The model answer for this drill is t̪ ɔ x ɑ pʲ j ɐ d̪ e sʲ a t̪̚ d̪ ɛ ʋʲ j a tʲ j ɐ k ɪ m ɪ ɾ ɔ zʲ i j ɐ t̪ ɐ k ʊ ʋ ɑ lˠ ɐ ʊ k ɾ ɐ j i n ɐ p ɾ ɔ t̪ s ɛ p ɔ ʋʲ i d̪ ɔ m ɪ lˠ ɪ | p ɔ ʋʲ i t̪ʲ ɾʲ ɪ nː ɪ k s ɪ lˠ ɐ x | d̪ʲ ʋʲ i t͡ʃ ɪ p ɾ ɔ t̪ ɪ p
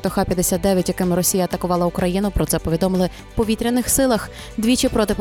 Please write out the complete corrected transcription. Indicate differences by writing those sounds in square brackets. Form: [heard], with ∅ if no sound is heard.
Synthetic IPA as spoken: t̪ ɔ x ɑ pʲ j ɐ d̪ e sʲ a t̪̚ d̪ ɛ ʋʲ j [ɐ] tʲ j ɐ k ɪ m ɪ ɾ ɔ [sʲ] i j ɐ t̪ ɐ k ʊ ʋ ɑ lˠ ɐ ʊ k ɾ ɐ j i n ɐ p ɾ ɔ t̪ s ɛ p ɔ ʋʲ i d̪ ɔ m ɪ lˠ ɪ | p ɔ ʋʲ i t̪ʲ ɾʲ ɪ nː ɪ [x] s ɪ lˠ ɐ x | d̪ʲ ʋʲ i t͡ʃ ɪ p ɾ ɔ t̪ ɪ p